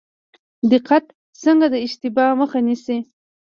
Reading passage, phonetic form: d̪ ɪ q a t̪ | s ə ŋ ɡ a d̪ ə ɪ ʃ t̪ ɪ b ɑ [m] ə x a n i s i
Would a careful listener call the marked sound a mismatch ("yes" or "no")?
no